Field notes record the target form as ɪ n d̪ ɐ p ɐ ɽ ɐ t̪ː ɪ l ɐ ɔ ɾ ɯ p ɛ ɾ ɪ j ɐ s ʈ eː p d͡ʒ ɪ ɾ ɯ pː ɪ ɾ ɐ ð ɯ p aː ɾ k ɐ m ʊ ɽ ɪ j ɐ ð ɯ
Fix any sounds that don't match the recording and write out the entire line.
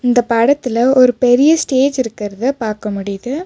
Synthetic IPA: ɪ n d̪ ɐ p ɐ ɽ ɐ t̪ː ɪ l ɐ ɔ ɾ ɯ p ɛ ɾ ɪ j ɐ s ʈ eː d͡ʒ ɪ ɾ ɯ kː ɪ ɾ ɐ ð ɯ p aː ɾ k ɐ m ʊ ɽ ɪ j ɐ ð ɯ